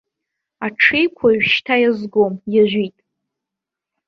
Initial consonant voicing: voiceless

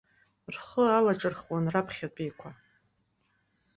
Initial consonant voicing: voiced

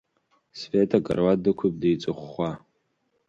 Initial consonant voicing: voiceless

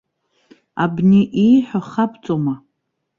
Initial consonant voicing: voiced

